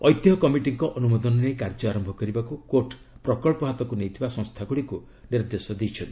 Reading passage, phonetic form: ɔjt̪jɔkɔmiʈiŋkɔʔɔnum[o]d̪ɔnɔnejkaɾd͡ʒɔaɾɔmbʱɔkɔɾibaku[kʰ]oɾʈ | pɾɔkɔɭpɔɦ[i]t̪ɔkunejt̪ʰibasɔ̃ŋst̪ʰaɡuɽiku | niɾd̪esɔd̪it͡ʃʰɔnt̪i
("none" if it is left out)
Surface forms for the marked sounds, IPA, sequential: ɔ, k, a

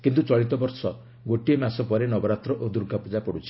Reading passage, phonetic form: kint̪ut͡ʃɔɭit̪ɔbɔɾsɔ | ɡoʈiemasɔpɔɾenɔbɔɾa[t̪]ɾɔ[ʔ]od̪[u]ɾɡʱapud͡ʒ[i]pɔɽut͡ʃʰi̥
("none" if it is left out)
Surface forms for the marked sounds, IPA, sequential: t̪, ʔ, u, a

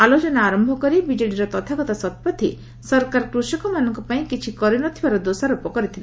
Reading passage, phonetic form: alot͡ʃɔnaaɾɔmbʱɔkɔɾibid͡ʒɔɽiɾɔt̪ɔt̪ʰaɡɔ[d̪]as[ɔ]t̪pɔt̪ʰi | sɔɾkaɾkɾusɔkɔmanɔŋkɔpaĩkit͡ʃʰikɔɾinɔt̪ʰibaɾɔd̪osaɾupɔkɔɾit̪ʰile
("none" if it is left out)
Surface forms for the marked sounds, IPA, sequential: t̪, ɔ

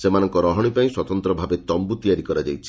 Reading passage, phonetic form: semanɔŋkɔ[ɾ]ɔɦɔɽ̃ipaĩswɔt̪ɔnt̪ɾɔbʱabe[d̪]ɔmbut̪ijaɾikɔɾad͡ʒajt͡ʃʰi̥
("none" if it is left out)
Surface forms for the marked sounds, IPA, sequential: ɾ, t̪

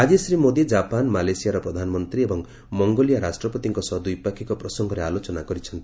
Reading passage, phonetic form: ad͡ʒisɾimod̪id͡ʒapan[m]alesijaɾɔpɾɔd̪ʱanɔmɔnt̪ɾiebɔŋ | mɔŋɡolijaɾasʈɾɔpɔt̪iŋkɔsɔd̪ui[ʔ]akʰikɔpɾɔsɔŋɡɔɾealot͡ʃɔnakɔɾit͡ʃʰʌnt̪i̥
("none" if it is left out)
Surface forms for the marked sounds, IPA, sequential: m, p

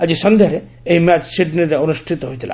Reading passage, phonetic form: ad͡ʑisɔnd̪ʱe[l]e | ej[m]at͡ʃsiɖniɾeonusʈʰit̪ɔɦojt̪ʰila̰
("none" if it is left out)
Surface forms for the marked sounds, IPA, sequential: ɾ, m

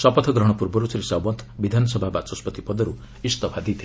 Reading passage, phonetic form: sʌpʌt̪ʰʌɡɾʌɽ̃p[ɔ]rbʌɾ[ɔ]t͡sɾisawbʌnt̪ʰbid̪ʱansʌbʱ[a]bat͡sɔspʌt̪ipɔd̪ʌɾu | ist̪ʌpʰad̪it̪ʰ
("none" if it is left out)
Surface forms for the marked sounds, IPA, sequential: u, u, a

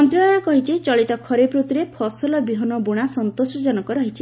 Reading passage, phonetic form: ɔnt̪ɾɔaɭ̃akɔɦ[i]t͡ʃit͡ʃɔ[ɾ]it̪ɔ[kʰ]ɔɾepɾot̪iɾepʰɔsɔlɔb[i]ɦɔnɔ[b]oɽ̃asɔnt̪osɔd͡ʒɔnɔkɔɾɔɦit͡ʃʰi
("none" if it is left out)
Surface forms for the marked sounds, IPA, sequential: i, ɭ, kʰ, i, b

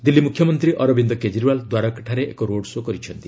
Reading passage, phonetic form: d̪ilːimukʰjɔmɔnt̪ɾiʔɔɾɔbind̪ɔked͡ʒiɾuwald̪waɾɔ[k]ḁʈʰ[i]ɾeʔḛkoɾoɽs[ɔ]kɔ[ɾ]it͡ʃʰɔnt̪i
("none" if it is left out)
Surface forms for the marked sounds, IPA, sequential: k, a, o, ɾ

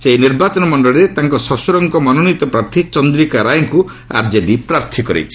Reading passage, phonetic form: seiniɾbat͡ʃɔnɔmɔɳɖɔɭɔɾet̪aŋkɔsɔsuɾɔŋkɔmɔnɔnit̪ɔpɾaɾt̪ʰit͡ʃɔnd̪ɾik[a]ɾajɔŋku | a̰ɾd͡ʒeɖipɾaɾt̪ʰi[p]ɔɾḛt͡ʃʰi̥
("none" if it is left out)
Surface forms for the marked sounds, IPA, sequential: a, k

